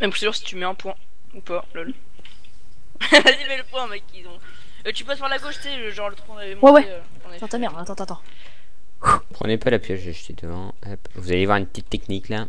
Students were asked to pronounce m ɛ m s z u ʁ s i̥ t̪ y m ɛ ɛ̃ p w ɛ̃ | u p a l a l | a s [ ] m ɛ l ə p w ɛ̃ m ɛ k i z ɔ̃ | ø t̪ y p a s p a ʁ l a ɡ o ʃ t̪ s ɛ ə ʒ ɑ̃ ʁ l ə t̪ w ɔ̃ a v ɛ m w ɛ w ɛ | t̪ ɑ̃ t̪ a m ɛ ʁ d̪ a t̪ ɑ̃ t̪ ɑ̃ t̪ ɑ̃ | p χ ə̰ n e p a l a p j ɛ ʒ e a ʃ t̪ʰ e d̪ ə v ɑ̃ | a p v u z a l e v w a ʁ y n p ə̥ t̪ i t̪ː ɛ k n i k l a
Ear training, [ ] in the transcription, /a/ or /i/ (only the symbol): i